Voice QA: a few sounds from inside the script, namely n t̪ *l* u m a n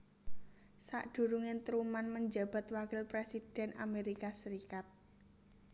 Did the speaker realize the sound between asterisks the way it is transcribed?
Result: no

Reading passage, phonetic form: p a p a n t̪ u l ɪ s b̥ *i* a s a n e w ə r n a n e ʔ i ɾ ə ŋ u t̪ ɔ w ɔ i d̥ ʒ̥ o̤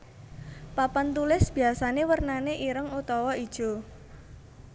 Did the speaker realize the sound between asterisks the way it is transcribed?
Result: yes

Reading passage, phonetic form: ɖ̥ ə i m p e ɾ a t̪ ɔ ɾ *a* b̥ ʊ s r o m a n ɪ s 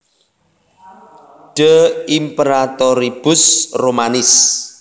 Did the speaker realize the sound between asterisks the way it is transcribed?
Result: no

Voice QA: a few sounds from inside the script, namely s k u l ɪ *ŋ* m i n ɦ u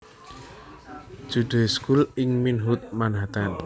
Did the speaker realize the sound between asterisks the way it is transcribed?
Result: yes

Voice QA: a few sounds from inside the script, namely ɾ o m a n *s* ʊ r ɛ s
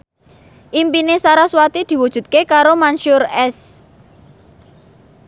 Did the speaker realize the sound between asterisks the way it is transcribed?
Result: no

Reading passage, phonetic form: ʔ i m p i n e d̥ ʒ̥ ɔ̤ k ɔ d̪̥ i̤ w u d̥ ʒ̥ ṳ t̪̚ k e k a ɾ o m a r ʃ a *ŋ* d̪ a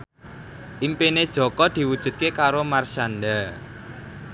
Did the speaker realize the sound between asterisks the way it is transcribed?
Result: no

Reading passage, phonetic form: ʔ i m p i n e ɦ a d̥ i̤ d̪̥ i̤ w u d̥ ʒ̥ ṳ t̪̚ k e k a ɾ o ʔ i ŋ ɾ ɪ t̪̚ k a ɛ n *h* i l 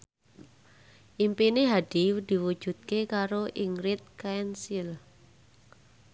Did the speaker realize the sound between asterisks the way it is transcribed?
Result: no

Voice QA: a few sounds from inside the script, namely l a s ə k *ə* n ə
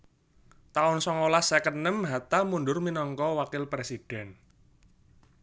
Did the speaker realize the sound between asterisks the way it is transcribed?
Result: yes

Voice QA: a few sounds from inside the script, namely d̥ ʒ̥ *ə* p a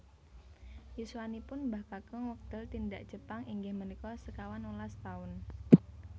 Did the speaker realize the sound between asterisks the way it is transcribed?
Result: yes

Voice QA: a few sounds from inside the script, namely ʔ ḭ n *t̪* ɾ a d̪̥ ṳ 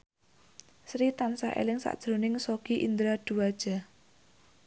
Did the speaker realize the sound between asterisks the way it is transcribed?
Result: no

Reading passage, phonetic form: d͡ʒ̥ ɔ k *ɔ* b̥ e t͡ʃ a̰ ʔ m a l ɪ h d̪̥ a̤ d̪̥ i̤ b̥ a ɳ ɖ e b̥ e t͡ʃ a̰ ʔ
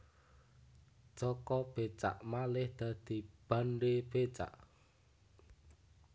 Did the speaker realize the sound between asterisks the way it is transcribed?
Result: yes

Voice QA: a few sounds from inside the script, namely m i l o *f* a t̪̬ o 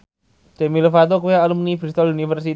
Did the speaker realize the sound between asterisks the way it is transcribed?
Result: yes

